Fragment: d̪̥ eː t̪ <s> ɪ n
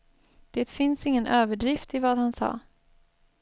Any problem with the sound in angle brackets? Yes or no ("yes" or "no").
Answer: yes